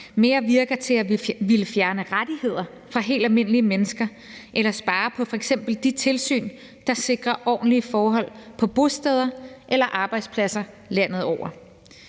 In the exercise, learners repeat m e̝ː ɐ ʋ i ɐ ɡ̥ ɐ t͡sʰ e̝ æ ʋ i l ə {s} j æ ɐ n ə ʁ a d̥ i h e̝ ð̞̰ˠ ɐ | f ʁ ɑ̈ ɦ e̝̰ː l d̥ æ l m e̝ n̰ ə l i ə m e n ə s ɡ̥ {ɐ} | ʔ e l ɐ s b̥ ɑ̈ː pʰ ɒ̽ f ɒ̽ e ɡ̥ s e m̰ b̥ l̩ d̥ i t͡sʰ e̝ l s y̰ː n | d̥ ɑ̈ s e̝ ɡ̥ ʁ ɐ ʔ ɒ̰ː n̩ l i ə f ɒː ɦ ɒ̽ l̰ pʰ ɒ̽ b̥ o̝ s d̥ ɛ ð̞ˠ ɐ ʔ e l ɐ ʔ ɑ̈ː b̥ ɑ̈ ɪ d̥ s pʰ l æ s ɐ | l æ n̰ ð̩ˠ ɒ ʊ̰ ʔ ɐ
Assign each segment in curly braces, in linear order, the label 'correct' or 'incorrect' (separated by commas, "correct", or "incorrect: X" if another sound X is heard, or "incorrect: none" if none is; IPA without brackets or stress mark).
incorrect: f, correct